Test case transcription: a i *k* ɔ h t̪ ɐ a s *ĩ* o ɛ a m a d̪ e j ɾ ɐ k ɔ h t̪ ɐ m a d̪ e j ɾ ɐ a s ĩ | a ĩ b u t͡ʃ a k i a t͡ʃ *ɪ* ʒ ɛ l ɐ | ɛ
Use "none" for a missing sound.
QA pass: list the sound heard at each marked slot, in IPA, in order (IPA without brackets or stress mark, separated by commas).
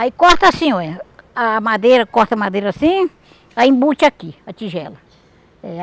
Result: k, ĩ, i